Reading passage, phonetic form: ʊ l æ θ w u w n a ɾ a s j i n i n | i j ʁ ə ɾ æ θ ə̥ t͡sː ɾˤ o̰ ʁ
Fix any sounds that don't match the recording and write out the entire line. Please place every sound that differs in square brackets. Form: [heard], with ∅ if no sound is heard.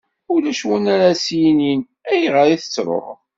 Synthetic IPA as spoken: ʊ l æ [ʃ] w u [∅] n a ɾ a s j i n i n | [æ] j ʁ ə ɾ [i] θ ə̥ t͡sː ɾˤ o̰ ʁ